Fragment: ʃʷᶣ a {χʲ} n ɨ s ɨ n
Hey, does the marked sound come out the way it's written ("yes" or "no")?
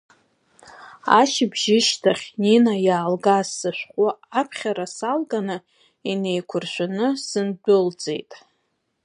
no